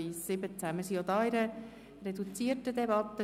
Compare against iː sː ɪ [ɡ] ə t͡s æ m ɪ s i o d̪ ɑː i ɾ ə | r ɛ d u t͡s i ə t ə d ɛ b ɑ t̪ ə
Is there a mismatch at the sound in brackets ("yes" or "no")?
yes